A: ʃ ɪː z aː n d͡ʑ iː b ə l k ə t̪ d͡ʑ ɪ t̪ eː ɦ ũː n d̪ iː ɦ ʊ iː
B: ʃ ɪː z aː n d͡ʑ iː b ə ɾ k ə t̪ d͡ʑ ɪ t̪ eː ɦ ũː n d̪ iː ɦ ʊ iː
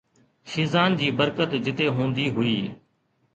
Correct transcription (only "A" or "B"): B